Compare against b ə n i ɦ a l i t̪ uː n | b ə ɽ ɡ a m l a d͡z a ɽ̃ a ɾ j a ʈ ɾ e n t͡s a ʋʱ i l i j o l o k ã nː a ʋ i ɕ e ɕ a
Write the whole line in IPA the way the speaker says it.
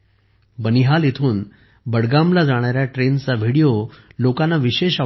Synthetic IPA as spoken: b ə n i ɦ a l i t̪ʰ uː n | b ə ɽ ɡ a m l a d͡z a ɽ̃ a ɾ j a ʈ ɾ e n t͡s a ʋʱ i ɽ i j o l o k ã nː a ʋ i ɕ e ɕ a